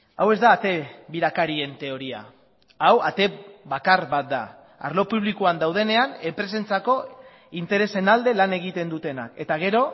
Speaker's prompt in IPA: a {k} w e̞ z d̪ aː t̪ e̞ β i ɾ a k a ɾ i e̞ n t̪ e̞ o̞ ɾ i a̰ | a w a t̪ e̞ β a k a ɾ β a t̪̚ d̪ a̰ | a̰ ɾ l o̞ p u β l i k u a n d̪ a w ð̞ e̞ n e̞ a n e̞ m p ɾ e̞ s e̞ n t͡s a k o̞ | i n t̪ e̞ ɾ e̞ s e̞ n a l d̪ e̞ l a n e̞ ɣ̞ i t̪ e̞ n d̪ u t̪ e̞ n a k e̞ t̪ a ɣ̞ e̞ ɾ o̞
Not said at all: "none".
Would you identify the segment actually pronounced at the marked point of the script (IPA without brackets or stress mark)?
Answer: none